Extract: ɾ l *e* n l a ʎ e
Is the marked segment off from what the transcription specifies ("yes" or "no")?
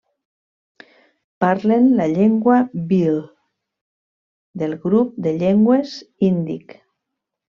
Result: no